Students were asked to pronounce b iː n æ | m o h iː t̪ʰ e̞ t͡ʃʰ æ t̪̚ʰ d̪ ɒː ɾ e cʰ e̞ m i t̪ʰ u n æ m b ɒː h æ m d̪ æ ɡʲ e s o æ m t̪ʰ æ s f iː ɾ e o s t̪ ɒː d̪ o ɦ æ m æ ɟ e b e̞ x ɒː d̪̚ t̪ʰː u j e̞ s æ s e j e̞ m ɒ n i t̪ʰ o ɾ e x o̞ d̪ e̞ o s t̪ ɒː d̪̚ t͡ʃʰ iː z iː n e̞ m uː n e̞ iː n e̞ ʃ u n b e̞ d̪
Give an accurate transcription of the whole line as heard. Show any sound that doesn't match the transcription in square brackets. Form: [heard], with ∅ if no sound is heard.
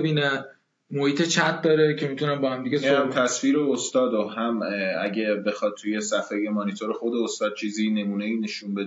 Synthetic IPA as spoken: b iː n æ | m o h iː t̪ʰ e̞ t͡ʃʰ æ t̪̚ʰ d̪ ɒː ɾ e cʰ e̞ m i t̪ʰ u n æ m b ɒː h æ m d̪ [i] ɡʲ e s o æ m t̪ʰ æ s f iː ɾ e o s t̪ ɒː d̪ o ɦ æ m æ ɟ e b e̞ x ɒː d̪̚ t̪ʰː u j e̞ s æ [f] e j e̞ m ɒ n i t̪ʰ o ɾ e x o̞ d̪ e̞ o s t̪ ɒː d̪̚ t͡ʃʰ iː z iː n e̞ m uː n e̞ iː n e̞ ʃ u n b e̞ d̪